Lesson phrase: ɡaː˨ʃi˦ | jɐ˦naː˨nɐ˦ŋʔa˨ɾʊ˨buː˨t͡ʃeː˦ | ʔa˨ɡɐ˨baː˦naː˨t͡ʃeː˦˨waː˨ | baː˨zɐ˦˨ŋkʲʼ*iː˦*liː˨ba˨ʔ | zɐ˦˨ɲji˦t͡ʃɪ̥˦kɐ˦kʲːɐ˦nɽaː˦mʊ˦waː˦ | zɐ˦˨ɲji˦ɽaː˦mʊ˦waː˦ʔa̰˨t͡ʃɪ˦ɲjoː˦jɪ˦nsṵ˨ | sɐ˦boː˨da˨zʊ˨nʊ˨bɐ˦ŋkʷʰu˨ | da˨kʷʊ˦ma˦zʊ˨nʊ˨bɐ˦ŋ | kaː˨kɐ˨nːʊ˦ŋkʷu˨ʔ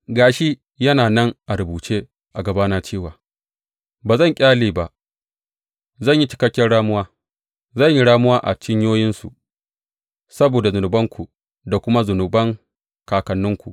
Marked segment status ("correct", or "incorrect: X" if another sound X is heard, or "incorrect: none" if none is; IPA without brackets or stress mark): incorrect: aː˦